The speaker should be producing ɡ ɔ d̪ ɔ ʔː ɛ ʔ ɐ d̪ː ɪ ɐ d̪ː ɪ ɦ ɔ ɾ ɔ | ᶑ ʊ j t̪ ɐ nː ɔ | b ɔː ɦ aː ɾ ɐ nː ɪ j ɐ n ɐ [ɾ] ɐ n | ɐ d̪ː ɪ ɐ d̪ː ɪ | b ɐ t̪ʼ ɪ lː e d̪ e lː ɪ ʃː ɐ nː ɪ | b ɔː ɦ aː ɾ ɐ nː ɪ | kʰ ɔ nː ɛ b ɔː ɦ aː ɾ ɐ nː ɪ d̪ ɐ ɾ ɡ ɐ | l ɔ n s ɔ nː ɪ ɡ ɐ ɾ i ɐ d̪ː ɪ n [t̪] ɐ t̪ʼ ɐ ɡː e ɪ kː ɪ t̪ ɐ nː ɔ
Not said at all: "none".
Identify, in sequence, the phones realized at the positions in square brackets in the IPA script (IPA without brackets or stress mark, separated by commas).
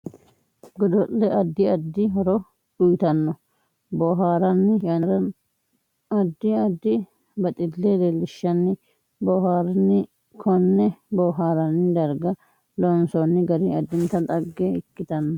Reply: ɾ, t̪